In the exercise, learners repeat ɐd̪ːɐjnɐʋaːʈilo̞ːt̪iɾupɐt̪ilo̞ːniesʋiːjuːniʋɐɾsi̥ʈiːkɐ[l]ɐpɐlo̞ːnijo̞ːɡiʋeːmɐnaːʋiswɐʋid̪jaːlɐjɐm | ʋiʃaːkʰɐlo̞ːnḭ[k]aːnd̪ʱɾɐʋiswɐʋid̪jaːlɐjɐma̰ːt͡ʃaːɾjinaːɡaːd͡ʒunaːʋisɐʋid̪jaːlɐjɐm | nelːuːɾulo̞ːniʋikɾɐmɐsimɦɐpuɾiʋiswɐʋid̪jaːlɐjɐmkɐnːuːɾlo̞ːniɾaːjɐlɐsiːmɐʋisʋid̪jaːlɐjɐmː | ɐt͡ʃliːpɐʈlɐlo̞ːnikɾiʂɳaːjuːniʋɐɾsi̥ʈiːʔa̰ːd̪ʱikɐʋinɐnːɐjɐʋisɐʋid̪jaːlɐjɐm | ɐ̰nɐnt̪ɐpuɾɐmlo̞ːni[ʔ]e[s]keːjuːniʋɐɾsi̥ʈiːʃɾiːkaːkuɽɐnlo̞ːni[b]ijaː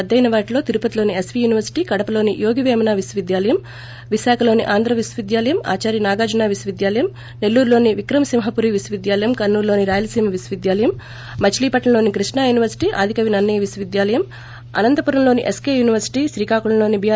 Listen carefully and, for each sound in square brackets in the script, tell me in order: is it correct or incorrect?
incorrect, incorrect, correct, correct, correct

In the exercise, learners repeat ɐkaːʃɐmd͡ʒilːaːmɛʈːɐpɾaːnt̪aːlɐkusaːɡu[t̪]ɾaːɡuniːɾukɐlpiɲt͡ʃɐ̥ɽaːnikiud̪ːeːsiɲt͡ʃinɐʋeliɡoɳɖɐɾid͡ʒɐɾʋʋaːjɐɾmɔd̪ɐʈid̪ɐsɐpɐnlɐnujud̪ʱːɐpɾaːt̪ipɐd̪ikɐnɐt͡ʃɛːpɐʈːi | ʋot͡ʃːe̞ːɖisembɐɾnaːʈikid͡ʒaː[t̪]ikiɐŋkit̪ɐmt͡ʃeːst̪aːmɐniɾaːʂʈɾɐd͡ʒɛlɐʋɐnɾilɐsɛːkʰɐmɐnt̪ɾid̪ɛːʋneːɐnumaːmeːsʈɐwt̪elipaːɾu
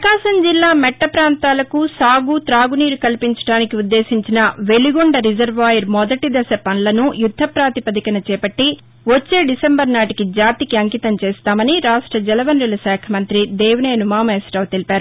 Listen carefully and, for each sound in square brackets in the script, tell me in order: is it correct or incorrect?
correct, correct

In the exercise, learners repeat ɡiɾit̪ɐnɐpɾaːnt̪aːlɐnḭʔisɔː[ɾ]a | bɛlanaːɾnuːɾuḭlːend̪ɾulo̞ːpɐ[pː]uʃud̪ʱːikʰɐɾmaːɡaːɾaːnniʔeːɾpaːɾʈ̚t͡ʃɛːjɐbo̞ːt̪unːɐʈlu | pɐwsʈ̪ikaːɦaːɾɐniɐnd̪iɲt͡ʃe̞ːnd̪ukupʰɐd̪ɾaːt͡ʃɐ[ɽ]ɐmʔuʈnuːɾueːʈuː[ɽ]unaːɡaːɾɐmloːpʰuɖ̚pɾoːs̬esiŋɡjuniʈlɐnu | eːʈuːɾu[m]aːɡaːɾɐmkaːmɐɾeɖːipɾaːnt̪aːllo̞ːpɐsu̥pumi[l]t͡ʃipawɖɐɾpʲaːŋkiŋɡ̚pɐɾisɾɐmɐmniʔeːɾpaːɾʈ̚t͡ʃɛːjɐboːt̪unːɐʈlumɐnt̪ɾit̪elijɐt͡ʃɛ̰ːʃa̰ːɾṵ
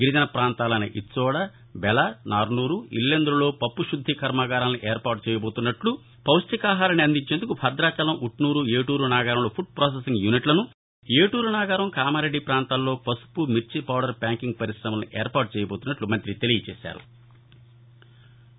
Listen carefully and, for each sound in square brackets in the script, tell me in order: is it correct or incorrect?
incorrect, correct, incorrect, incorrect, incorrect, incorrect

